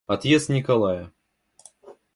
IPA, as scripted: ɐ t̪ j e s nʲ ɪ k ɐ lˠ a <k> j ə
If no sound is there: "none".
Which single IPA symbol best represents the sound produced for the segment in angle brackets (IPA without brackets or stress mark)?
none